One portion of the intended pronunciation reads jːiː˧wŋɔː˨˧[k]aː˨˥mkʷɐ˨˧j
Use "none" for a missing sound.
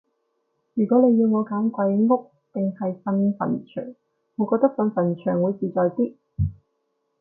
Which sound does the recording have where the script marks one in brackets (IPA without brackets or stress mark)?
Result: k